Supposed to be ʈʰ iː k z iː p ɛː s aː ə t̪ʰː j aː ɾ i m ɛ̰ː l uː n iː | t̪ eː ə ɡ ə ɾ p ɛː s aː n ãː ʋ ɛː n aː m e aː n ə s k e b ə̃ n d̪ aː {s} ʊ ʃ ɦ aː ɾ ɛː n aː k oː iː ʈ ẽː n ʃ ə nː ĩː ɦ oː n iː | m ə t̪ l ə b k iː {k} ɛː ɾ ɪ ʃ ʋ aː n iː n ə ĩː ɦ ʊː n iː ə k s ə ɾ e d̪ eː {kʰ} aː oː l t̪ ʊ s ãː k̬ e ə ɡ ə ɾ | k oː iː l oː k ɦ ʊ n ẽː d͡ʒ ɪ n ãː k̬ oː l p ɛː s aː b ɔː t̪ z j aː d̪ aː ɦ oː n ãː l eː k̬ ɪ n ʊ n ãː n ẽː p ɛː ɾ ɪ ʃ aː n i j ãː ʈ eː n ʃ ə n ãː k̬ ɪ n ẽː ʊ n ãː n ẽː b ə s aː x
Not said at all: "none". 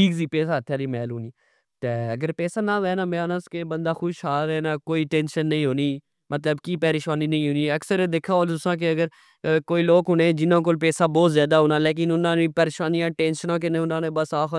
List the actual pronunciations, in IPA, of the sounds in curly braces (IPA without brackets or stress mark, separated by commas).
x, p, kʰ